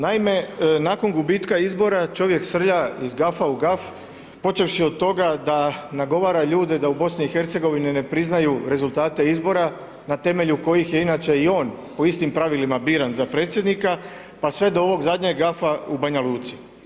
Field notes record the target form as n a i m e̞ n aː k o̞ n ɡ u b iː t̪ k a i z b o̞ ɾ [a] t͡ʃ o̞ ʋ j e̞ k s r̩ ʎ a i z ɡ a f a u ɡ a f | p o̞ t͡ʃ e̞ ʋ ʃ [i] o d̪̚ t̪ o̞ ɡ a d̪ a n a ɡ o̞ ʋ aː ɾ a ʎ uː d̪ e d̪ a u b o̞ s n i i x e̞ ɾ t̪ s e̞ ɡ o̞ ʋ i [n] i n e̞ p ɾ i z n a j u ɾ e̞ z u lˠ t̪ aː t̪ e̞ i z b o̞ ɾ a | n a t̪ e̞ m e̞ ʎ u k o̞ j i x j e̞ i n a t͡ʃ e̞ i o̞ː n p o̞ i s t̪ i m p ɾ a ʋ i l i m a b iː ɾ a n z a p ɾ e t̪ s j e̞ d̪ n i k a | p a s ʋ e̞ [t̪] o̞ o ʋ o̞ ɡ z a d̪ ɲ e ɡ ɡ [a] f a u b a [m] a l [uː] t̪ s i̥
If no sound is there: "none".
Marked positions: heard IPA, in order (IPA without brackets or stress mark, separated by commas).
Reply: a, i, n, d̪, a, ɲ, uː